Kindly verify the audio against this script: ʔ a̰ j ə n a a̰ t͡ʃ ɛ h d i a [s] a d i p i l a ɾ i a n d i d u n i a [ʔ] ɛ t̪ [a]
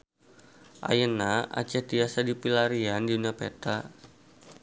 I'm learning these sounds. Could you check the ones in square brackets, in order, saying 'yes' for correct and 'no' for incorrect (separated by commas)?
yes, no, yes